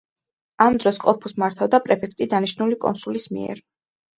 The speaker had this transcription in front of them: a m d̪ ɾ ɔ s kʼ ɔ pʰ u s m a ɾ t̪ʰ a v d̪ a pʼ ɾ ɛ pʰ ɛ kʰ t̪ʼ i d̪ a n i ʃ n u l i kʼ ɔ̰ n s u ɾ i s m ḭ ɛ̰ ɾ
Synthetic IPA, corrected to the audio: a m d̪ ɾ ɔ s kʼ ɔ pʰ u s m a ɾ t̪ʰ a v d̪ a pʼ ɾ ɛ pʰ ɛ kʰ t̪ʼ i d̪ a n i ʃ n u l i kʼ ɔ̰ n s u l i s m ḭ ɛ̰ ɾ